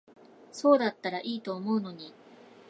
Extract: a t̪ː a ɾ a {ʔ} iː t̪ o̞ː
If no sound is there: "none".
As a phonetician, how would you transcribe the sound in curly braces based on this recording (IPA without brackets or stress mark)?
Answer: ʔ